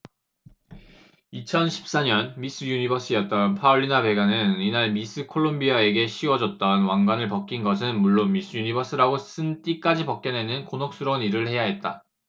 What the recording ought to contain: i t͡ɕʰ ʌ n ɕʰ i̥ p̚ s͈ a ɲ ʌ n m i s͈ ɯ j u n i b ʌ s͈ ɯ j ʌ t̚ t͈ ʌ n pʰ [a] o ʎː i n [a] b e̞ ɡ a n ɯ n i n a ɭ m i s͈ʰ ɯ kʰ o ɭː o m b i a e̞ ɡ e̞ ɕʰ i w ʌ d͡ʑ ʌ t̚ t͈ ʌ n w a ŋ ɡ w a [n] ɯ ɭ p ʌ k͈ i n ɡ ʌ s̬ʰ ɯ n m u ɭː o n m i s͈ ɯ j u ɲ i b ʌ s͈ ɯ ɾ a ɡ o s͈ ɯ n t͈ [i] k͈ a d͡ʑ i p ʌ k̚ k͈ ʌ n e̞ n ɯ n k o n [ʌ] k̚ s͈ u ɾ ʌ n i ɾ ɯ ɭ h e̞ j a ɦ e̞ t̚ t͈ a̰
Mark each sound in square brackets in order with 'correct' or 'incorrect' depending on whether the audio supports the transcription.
correct, correct, correct, correct, correct

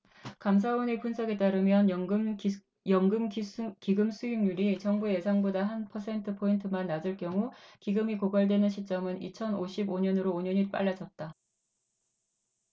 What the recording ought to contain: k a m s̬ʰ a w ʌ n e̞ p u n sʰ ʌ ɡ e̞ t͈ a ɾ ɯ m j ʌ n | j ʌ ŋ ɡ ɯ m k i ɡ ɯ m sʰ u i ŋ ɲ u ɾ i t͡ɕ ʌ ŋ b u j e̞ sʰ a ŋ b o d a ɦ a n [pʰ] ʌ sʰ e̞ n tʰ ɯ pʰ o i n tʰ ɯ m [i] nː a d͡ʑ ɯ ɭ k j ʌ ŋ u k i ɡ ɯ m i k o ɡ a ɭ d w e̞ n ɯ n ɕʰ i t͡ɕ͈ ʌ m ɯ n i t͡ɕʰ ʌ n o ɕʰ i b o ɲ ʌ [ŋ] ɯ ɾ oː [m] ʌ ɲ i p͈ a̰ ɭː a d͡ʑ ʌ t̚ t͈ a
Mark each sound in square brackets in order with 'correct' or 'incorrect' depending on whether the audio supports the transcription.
correct, incorrect, incorrect, incorrect

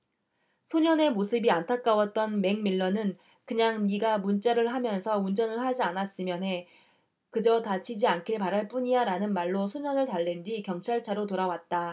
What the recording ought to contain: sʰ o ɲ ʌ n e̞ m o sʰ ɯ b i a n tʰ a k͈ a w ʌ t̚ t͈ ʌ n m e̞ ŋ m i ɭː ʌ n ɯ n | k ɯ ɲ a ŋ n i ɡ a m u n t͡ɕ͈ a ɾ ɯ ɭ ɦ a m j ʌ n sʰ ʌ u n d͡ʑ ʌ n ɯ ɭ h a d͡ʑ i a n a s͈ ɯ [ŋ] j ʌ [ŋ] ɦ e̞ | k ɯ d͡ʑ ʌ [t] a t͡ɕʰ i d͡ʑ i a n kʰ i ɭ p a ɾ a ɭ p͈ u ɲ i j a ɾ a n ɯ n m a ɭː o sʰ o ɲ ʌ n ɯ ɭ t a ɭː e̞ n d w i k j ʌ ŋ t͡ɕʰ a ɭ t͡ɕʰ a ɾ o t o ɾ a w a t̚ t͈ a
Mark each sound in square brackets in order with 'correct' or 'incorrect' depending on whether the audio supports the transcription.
incorrect, incorrect, correct

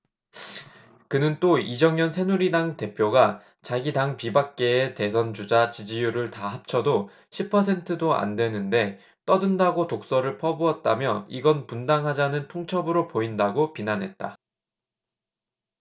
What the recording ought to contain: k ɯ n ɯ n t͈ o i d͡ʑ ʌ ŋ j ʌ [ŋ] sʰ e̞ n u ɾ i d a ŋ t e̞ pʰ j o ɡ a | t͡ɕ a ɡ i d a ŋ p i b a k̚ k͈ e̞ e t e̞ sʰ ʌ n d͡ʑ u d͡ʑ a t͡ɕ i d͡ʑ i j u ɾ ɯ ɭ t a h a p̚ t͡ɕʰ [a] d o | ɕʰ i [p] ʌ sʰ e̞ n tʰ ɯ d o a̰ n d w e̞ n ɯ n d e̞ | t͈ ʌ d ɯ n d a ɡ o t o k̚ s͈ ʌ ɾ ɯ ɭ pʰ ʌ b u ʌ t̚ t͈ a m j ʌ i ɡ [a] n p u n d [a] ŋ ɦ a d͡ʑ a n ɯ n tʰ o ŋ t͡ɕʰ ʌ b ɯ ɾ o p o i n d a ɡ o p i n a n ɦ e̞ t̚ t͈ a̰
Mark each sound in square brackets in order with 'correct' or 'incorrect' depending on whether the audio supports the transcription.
incorrect, incorrect, incorrect, incorrect, correct

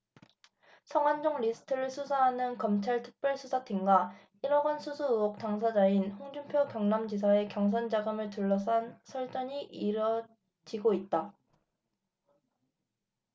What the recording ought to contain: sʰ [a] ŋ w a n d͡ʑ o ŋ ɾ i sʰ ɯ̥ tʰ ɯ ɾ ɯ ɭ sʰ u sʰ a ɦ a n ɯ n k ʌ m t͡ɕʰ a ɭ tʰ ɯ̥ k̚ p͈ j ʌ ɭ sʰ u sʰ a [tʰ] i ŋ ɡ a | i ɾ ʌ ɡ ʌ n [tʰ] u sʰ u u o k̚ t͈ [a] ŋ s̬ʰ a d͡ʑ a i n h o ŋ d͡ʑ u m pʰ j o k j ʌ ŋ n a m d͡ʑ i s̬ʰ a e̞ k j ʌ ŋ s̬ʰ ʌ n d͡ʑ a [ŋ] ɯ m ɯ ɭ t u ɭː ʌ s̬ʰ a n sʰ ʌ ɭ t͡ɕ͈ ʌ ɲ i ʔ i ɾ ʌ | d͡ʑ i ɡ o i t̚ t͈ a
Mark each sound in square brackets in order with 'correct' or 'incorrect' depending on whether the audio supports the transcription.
incorrect, correct, incorrect, correct, incorrect

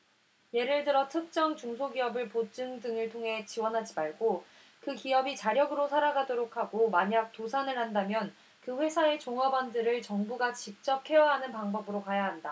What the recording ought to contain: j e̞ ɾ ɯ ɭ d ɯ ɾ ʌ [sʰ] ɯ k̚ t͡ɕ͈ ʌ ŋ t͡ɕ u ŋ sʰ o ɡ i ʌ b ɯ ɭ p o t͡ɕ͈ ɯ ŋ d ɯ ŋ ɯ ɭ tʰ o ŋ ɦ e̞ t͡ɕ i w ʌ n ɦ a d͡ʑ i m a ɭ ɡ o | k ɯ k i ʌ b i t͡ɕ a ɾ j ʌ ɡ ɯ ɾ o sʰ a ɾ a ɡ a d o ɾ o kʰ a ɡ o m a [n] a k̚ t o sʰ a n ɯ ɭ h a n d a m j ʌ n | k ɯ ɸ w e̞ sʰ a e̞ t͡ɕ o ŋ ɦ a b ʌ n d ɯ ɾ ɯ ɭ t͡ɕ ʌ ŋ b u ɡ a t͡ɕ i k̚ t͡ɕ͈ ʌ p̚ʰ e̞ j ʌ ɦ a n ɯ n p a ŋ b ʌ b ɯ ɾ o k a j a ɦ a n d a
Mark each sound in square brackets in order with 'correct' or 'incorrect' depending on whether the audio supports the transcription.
incorrect, incorrect

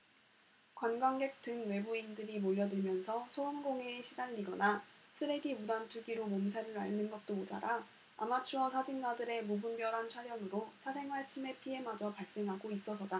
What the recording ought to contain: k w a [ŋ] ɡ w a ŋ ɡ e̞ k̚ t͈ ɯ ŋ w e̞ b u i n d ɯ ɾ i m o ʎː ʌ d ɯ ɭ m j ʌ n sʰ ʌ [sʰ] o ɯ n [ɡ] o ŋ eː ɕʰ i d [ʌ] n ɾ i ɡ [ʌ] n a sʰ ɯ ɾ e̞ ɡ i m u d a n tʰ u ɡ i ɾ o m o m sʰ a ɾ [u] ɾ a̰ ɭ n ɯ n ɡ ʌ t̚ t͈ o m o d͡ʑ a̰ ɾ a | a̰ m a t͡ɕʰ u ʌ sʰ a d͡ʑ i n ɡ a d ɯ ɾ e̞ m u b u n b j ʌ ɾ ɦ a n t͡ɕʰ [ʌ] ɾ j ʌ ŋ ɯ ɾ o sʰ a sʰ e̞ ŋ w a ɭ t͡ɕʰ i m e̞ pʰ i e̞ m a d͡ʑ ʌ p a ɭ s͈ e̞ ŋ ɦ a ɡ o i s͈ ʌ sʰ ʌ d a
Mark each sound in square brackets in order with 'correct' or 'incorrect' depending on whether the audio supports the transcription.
incorrect, correct, correct, incorrect, correct, incorrect, incorrect

